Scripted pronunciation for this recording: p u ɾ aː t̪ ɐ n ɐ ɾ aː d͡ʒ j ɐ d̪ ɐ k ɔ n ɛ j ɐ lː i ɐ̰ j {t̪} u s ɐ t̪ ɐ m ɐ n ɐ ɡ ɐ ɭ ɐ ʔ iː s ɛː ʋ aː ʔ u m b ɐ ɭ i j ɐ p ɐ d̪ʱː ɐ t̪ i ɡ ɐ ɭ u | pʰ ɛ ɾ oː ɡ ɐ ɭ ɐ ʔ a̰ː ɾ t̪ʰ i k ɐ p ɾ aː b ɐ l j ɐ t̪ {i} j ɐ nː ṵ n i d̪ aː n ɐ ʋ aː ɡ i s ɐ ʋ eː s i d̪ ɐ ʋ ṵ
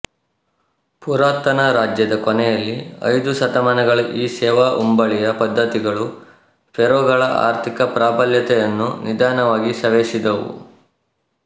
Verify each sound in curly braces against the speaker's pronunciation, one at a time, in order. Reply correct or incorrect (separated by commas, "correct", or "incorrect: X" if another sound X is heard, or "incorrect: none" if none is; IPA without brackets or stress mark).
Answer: incorrect: d̪, incorrect: ɛ